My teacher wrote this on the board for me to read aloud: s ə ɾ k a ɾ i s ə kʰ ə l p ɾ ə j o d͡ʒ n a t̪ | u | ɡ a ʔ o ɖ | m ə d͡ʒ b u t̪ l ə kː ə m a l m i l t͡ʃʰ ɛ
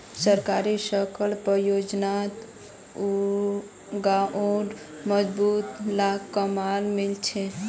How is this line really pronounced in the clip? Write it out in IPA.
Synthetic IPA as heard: s ə ɾ k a ɾ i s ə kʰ ə l p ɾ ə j o d͡ʒ n a t̪ | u | ɡ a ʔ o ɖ | m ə d͡ʒ b u t̪ l a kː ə m a l m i l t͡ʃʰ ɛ